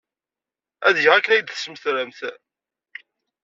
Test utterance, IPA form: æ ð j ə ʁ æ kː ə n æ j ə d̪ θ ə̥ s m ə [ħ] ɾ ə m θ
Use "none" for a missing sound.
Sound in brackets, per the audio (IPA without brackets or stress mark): θ